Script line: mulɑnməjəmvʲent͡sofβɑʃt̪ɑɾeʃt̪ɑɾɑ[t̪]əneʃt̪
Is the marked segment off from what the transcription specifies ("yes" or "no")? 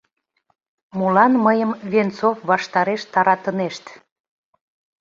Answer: no